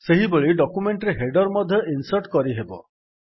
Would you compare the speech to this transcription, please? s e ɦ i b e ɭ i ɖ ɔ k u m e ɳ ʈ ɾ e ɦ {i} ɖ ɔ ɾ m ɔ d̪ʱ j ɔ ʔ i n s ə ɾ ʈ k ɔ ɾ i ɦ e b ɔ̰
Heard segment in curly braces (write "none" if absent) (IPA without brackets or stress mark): e